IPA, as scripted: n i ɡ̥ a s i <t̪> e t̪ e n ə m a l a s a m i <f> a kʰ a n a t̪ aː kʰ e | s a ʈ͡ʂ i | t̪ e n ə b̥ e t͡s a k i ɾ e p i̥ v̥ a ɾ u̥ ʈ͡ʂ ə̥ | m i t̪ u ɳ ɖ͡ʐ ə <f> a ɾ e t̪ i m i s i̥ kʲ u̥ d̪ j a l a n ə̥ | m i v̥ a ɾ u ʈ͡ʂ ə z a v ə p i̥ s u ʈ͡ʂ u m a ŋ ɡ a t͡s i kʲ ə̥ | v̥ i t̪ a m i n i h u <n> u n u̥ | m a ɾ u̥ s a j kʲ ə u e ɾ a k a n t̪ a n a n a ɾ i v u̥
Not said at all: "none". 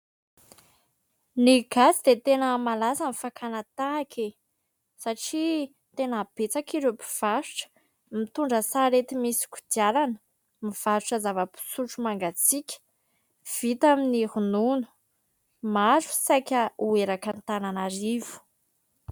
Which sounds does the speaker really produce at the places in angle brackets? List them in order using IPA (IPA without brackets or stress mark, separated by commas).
d̪, f, s, n